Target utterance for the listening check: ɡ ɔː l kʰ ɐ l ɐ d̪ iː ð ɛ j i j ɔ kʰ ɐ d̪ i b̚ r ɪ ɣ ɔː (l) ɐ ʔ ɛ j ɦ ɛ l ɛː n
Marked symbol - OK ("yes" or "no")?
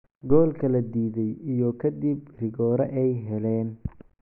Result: no